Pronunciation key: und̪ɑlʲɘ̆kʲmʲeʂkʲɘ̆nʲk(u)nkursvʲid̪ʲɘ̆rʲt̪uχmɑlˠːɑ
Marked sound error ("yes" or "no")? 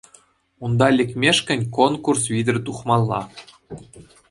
yes